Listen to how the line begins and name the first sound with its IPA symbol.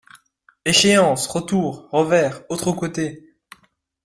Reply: e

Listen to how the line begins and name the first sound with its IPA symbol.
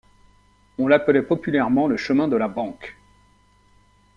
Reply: ɔ̃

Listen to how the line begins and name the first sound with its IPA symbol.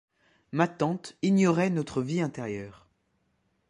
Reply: m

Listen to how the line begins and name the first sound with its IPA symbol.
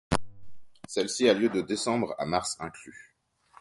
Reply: s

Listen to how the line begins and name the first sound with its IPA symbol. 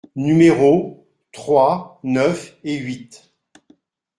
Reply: n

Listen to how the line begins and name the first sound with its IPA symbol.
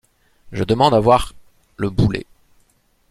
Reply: ʒ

